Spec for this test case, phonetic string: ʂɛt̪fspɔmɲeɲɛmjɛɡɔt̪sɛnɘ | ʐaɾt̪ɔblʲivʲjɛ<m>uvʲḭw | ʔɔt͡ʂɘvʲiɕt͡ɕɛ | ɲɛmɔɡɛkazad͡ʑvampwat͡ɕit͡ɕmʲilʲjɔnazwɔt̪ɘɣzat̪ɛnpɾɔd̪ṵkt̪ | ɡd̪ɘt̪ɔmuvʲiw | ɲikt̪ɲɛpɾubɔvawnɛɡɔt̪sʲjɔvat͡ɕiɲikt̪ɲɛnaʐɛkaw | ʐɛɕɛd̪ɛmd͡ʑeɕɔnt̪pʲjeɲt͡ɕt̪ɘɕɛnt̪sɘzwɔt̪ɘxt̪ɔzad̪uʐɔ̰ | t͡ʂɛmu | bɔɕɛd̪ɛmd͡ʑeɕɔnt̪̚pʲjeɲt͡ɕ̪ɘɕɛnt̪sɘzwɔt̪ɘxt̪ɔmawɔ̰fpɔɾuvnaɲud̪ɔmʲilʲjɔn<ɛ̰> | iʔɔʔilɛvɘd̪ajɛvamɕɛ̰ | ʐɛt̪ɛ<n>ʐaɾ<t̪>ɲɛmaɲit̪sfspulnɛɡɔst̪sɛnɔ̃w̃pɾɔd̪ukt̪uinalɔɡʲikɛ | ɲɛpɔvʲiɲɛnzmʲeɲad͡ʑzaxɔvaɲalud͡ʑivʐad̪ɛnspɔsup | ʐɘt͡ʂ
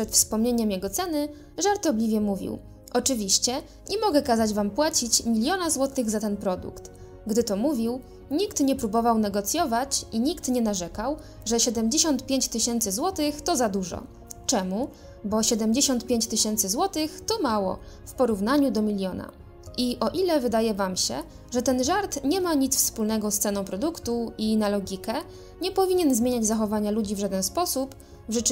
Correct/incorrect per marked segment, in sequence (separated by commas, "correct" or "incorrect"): correct, incorrect, correct, correct